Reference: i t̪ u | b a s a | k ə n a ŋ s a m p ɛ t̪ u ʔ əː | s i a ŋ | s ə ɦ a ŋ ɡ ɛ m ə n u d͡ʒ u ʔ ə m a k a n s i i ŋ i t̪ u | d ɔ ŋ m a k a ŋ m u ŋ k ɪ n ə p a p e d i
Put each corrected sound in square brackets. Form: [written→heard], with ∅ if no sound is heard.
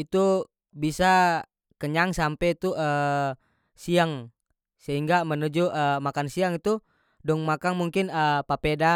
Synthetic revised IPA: i t̪ u | b [a→i] s a | k ə [n→ɲ] a ŋ s a m p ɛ t̪ u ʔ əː | s i a ŋ | s ə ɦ [a→i] ŋ ɡ [ɛ→a] m ə n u d͡ʒ u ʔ ə m a k a n s i [i→a] ŋ i t̪ u | d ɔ ŋ m a k a ŋ m u ŋ k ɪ n ə p a p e d [i→a]